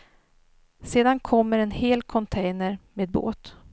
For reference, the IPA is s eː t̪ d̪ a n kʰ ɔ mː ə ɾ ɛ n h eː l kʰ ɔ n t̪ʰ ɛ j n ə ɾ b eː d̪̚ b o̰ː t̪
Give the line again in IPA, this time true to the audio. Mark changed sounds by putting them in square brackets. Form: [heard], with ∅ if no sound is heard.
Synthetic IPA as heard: s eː [∅] d̪ a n kʰ ɔ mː ə ɾ ɛ n h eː l kʰ ɔ n t̪ʰ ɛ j n ə ɾ [m] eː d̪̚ b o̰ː t̪